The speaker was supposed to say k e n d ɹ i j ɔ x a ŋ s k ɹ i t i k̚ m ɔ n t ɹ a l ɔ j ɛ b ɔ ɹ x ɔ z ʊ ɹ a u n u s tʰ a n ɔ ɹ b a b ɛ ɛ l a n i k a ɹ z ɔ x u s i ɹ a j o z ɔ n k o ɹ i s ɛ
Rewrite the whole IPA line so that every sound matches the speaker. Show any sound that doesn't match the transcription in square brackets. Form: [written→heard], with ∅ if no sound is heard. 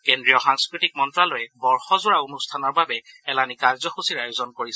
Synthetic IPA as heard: k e n d ɹ i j ɔ x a ŋ s k ɹ i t i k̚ m ɔ n t ɹ a l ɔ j ɛ b ɔ ɹ x ɔ z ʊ ɹ a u n u s tʰ a n ɔ ɹ b a b ɛ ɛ l a n i k a ɹ z ɔ x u s i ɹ a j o z ɔ n k o ɹ i s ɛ